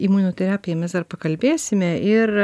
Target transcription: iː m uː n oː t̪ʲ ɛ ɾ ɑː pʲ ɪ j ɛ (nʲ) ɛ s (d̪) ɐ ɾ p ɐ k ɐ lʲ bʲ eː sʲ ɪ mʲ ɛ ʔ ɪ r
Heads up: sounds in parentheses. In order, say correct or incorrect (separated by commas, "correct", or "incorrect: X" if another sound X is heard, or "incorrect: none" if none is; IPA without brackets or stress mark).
incorrect: mʲ, correct